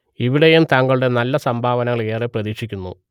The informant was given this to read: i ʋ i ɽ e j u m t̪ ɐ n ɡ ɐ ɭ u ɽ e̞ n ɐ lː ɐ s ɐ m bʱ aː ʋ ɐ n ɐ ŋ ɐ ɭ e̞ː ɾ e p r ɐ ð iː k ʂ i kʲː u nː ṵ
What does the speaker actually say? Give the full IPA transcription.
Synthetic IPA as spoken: i ʋ i ɽ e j u m t̪ ɐ ŋ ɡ ɐ ɭ u ɽ e̞ n ɐ lː ɐ s ɐ m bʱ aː ʋ ɐ n ɐ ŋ ɐ ɭ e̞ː r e p r ɐ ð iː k ʂ i kʲː u nː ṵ